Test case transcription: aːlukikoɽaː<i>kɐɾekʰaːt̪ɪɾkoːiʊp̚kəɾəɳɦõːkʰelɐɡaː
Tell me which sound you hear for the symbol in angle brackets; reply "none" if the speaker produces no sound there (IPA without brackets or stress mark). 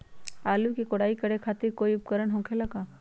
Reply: i